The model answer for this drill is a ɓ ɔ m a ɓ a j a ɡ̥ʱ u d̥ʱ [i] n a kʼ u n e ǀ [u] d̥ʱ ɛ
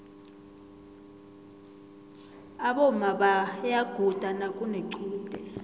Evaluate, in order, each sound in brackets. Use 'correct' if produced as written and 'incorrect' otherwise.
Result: incorrect: a, incorrect: uː

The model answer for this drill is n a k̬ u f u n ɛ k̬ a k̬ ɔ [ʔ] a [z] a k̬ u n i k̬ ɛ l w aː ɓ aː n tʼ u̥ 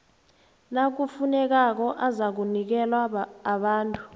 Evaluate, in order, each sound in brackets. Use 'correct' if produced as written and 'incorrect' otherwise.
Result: correct, correct

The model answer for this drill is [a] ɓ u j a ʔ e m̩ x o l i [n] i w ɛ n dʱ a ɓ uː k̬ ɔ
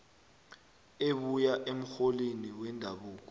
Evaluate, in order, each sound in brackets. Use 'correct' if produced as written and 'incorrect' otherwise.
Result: incorrect: e, correct

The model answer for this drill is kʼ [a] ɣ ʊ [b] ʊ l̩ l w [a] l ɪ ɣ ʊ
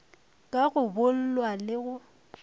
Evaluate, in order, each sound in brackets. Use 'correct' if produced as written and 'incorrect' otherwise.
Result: correct, correct, correct

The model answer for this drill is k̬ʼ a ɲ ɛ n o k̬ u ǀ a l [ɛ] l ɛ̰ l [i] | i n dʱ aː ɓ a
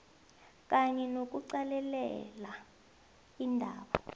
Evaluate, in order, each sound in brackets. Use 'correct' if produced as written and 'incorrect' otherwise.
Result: correct, incorrect: a

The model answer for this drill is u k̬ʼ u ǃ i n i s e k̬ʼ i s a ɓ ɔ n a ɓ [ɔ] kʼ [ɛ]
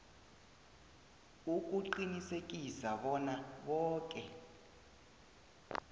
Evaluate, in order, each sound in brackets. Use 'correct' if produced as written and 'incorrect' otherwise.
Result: incorrect: ɔː, correct

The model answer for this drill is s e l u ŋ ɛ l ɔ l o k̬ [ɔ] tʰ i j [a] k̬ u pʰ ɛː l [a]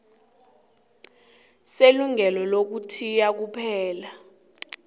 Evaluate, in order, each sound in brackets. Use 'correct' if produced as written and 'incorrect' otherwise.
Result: incorrect: u, correct, correct

